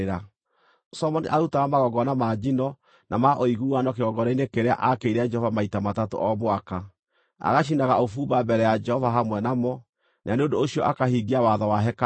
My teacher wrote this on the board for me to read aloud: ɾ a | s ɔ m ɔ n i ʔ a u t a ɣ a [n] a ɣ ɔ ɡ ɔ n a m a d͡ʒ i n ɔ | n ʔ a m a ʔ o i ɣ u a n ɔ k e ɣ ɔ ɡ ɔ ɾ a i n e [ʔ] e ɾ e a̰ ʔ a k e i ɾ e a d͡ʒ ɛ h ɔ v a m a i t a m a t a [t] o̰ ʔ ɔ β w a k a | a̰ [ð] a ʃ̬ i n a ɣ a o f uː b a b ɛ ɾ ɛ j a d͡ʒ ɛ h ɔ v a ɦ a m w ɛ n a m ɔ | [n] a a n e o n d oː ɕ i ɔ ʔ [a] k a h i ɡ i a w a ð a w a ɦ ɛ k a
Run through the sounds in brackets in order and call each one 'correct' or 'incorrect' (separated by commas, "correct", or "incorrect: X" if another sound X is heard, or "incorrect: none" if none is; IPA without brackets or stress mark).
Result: incorrect: m, incorrect: k, correct, incorrect: ɣ, correct, correct